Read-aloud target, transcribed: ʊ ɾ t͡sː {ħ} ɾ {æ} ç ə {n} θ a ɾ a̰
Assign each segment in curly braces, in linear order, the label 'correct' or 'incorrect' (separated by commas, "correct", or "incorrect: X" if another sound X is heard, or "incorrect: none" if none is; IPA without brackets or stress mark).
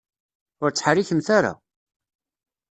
correct, incorrect: i, incorrect: m